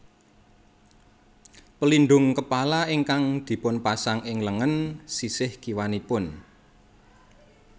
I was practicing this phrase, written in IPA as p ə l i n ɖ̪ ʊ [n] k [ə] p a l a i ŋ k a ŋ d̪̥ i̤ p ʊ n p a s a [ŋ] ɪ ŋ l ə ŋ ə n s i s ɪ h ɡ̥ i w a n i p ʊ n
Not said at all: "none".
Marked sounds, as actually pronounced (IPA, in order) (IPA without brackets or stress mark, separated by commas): ŋ, ə, ŋ